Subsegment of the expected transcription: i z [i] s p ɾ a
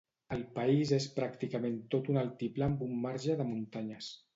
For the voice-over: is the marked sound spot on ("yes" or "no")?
no